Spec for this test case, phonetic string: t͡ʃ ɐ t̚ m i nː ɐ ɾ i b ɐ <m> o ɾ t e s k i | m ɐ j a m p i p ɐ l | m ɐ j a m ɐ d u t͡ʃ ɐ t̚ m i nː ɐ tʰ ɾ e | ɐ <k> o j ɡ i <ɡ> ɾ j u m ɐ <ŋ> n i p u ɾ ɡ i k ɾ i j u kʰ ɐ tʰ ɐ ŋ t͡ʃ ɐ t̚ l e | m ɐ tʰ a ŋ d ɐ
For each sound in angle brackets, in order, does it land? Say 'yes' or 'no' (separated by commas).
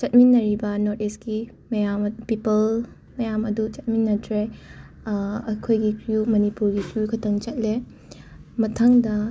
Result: no, no, no, no